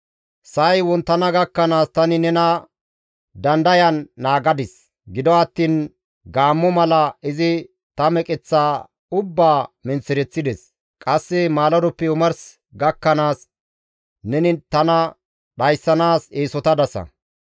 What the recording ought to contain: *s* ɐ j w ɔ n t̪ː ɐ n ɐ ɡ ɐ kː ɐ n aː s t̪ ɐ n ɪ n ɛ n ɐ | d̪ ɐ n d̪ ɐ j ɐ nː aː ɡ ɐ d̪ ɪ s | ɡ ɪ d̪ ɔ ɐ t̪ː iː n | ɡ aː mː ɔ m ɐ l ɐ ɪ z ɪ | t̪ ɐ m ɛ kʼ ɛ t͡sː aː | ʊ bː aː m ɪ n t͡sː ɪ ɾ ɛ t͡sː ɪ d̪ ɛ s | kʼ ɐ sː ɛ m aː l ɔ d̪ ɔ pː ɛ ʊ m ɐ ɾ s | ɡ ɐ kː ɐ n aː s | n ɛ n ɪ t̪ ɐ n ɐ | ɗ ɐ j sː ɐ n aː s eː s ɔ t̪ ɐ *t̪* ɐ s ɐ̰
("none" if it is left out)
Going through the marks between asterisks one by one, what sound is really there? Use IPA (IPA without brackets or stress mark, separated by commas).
s, d̪